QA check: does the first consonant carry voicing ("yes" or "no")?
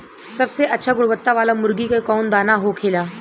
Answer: no